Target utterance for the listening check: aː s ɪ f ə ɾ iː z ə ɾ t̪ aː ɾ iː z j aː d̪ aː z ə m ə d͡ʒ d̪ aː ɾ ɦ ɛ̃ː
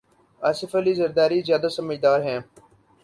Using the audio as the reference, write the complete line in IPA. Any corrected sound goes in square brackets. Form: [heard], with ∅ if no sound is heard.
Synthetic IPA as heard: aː s ɪ f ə [l] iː z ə ɾ [d̪] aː ɾ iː z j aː d̪ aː [s] ə m ə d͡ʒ d̪ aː ɾ ɦ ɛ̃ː